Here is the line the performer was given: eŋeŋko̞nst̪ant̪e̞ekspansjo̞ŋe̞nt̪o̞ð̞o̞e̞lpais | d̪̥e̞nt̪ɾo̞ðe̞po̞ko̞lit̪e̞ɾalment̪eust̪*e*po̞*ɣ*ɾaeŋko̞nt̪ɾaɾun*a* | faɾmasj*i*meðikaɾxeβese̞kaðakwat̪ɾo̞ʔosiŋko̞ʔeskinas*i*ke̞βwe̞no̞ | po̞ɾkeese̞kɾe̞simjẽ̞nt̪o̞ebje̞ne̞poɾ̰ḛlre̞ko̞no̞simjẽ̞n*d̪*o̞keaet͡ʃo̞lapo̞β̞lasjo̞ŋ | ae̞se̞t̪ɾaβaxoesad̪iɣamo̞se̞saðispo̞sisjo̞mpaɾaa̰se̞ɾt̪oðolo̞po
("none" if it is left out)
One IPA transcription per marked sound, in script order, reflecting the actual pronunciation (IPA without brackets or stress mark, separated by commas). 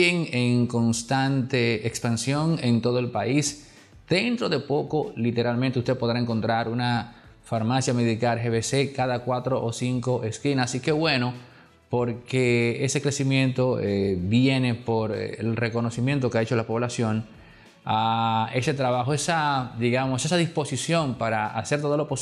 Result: e, ð, a, a, i, t̪